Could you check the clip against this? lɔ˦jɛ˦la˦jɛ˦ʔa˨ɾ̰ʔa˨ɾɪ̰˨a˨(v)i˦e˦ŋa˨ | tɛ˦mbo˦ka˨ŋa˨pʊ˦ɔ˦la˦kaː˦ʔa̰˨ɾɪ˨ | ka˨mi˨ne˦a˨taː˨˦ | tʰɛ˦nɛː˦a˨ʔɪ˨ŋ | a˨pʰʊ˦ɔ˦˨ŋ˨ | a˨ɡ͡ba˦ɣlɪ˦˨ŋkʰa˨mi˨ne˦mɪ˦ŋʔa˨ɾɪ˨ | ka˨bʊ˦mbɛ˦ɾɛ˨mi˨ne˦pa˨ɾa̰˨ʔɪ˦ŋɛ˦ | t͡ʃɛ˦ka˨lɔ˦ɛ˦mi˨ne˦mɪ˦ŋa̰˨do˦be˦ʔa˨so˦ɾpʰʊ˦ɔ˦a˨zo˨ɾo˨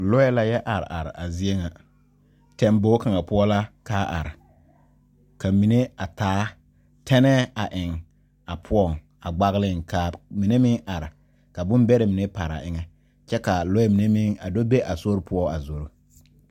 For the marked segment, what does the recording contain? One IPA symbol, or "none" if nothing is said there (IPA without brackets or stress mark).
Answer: z